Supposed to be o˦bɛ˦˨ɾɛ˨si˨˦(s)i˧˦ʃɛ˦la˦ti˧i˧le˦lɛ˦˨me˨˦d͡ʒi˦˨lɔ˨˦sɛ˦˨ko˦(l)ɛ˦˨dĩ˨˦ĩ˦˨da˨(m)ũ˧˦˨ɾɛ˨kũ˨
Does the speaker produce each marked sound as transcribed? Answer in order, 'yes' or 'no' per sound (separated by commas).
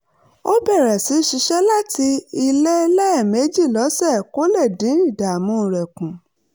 no, yes, yes